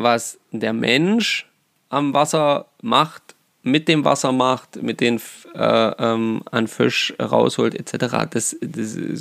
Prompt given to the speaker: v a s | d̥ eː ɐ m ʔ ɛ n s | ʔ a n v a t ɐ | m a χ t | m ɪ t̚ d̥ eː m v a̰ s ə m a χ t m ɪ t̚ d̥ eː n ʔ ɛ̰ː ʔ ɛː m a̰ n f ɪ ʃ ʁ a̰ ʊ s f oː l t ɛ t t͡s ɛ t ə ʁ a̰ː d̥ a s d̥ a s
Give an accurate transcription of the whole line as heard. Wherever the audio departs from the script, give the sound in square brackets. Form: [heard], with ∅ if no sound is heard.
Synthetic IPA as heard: v a s | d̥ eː ɐ m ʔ ɛ n [ʃ] | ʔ a [m] v a [s] ɐ | m a χ t | m ɪ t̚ d̥ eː m v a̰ s [ɐ] m a χ t m ɪ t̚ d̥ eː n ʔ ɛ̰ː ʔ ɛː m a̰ n f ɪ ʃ ʁ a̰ ʊ s [h] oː l t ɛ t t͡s ɛ t ə ʁ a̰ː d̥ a s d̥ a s